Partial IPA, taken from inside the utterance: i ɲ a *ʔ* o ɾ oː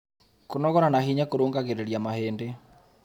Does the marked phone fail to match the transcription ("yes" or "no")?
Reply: yes